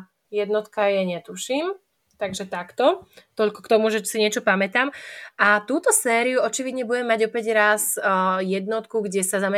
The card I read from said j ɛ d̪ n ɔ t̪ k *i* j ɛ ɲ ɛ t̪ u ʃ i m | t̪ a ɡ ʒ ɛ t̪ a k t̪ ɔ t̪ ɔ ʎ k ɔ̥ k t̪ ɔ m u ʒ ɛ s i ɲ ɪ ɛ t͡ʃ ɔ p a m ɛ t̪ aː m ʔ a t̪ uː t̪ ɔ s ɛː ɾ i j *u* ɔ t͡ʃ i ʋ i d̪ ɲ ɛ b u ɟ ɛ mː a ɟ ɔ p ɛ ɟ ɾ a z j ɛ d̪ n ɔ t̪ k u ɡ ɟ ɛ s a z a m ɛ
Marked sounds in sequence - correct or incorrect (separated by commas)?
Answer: incorrect, correct